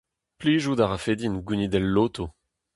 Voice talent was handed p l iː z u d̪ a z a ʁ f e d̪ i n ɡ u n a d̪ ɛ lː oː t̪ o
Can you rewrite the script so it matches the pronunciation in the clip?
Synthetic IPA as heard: p l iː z u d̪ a ʁ a f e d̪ i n ɡ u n i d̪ ɛ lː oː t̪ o